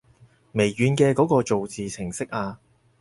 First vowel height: mid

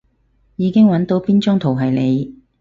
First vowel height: high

